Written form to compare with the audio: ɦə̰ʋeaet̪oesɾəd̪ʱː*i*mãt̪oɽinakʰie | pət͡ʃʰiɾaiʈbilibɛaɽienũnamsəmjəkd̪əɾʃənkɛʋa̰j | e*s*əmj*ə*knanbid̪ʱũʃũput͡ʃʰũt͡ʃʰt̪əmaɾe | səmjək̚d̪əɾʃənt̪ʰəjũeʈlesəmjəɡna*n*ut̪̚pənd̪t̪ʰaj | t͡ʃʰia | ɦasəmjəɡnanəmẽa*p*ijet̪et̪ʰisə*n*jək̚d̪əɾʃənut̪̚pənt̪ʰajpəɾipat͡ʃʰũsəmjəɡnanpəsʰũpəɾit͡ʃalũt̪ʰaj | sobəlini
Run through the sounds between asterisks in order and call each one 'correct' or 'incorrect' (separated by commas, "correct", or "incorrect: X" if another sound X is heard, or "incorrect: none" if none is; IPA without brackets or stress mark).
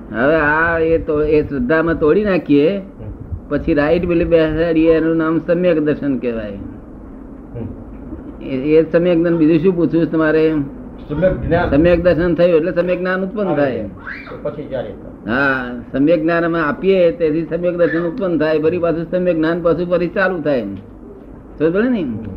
incorrect: a, correct, correct, correct, correct, incorrect: m